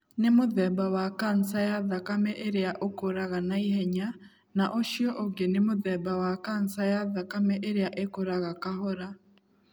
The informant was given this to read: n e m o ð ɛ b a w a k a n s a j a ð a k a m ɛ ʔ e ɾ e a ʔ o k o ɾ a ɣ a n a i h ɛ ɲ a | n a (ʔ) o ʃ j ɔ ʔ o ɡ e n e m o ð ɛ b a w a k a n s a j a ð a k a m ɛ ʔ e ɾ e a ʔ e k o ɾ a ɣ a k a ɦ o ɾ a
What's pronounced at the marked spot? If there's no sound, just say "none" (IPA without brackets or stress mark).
ʔ